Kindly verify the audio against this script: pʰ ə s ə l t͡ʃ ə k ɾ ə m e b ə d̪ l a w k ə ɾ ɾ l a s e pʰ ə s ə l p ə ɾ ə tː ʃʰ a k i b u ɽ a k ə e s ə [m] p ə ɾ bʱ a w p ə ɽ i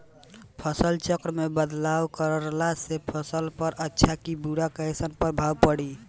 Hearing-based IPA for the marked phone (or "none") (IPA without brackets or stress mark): n